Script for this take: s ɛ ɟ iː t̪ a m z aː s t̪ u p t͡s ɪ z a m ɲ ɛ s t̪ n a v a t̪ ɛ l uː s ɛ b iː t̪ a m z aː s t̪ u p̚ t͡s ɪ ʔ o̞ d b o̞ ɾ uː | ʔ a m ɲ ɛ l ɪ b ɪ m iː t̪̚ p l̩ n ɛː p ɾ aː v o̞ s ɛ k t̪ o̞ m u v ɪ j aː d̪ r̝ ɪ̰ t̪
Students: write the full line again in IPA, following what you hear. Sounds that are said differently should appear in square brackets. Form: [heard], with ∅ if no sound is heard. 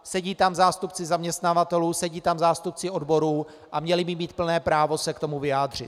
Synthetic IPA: s ɛ ɟ iː t̪ a m z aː s t̪ u p t͡s ɪ z a m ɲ ɛ s t̪ n a v a t̪ ɛ l uː s ɛ [ɟ] iː t̪ a m z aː s t̪ u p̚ t͡s ɪ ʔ o̞ d b o̞ ɾ uː | ʔ a m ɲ ɛ l ɪ b ɪ m iː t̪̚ p l̩ n ɛː p ɾ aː v o̞ s ɛ k t̪ o̞ m u v ɪ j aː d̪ r̝ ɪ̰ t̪